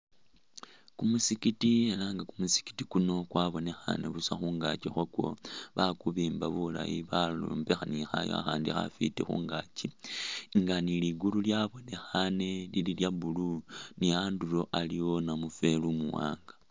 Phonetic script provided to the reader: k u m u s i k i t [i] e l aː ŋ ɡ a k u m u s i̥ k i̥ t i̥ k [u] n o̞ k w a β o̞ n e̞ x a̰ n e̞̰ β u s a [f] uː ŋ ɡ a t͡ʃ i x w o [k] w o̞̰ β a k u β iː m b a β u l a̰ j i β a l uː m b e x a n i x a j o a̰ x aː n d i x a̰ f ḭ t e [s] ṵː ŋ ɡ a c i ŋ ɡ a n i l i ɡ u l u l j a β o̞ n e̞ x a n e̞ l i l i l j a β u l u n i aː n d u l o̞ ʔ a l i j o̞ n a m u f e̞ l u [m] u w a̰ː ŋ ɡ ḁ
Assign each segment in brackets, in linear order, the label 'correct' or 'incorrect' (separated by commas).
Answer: correct, correct, incorrect, correct, incorrect, correct